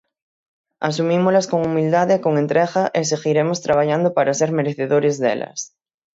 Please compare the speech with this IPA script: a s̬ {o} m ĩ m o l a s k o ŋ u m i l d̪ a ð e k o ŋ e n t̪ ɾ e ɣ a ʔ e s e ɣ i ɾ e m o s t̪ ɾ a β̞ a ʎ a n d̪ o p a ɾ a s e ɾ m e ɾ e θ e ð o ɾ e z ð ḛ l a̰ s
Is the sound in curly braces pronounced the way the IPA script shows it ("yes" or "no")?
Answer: no